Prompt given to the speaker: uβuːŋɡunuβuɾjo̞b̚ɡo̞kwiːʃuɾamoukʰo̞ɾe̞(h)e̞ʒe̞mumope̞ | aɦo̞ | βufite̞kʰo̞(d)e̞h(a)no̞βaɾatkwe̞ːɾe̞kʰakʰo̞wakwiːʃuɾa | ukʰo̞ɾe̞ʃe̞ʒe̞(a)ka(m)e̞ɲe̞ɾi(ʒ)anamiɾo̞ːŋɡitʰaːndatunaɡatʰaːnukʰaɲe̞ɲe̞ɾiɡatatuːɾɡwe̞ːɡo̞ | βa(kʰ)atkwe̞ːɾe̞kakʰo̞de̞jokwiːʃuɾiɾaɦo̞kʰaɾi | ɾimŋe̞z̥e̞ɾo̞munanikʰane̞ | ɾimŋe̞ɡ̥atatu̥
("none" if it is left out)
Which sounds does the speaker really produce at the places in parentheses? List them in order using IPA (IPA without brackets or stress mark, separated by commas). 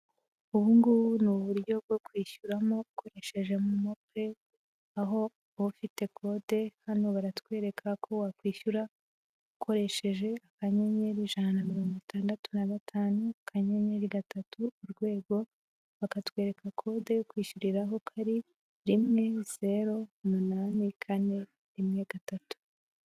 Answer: ʃ, d, a, a, ɲ, ʒ, k